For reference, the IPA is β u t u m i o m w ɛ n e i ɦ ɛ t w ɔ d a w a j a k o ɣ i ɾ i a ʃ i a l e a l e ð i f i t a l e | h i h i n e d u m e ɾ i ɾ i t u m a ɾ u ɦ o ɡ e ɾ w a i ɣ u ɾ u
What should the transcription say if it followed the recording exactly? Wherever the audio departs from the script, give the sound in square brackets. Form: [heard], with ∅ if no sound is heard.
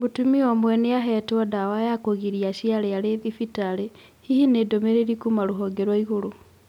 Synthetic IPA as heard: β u t u m i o m w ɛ n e [a] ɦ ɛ t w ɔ d a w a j a k o ɣ i ɾ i a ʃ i a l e a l e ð i f i t a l e | h i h i n e d [o] m e ɾ [e] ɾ i [k] u m a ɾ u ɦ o ɡ e ɾ w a i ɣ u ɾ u